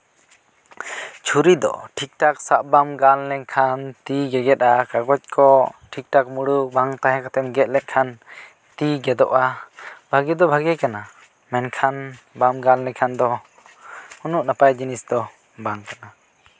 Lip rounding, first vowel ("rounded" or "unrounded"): rounded